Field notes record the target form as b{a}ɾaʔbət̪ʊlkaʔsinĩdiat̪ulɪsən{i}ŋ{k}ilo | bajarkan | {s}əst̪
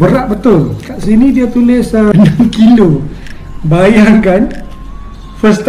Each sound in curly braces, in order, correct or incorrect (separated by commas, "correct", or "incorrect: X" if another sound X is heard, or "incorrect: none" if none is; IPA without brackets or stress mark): incorrect: ə, incorrect: a, correct, incorrect: f